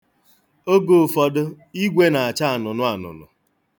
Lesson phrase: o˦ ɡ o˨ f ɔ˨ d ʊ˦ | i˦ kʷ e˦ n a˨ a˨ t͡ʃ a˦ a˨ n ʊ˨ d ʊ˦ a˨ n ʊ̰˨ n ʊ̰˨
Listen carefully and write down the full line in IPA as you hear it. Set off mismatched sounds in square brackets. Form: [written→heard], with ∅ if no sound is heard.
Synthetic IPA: o˦ ɡ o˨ f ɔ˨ d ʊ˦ | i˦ [kʷ→ɡʷ] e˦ n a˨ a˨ t͡ʃ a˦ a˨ n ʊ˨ [d→n] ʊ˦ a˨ n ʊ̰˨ n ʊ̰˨